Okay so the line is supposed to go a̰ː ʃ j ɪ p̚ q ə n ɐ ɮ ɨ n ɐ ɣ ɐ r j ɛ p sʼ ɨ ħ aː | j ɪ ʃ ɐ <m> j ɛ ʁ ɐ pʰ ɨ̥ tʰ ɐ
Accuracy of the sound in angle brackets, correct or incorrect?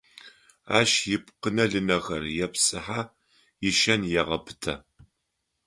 incorrect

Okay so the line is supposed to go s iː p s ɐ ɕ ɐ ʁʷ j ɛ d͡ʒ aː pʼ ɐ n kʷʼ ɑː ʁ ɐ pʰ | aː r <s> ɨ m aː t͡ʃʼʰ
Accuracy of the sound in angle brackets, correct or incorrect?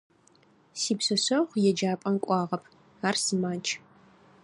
correct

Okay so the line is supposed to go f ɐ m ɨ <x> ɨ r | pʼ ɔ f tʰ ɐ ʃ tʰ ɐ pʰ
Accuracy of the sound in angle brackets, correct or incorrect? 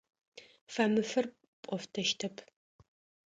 incorrect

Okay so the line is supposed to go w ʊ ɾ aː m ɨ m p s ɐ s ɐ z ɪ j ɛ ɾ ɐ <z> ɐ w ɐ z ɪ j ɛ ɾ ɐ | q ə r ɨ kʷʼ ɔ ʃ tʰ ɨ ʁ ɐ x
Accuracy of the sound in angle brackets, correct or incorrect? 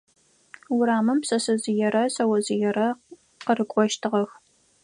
incorrect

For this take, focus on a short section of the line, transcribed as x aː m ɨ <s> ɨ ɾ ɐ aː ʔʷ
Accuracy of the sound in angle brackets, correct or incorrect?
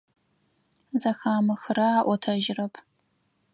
incorrect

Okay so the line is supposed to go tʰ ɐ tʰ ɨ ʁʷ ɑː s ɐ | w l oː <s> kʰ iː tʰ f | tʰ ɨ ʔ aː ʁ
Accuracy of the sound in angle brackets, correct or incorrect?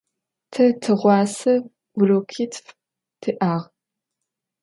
incorrect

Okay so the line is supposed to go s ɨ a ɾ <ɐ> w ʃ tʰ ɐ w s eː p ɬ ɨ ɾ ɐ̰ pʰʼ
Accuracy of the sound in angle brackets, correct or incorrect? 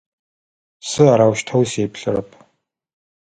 incorrect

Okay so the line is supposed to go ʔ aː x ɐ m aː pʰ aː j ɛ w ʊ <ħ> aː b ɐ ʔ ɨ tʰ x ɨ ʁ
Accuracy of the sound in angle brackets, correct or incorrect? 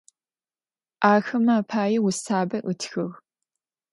incorrect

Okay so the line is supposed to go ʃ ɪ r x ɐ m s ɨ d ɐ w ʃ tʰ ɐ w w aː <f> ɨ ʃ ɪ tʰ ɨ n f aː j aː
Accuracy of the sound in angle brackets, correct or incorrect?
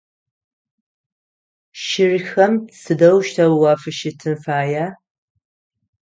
correct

